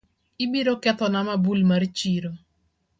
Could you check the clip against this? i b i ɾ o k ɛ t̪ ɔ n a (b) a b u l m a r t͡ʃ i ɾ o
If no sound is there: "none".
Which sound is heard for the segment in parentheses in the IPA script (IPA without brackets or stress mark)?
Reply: m